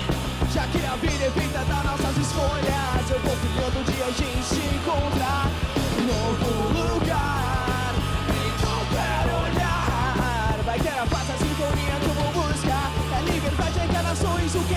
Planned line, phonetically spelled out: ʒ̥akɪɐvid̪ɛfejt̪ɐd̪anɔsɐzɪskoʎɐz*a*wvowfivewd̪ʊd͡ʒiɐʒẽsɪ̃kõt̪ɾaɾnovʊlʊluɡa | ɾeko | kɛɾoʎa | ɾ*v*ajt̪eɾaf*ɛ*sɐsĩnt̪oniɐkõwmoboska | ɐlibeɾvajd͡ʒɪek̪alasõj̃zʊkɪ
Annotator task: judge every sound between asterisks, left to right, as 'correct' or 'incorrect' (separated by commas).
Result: incorrect, correct, incorrect